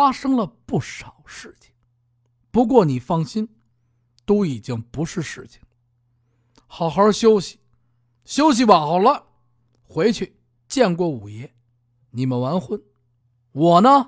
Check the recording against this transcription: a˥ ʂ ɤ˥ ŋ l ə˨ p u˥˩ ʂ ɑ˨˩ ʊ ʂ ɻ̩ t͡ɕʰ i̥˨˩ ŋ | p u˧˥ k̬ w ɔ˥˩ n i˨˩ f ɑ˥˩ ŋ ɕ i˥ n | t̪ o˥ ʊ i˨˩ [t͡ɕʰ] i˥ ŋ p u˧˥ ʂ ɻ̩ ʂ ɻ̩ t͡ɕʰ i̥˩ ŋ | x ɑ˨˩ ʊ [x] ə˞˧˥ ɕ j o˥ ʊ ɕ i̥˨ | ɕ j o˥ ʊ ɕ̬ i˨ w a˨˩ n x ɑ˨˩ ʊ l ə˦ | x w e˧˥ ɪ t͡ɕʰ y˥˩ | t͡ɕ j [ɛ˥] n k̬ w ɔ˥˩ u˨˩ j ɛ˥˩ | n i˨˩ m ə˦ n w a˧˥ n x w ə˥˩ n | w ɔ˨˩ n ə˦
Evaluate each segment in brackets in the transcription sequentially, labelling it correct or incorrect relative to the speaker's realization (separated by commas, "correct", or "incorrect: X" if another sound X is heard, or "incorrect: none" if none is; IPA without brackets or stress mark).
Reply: incorrect: t͡ɕ, correct, incorrect: ɛ˥˧